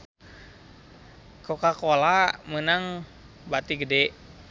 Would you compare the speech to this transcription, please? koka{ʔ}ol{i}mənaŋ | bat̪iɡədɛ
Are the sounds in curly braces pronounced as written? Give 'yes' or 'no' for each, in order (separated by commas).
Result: no, no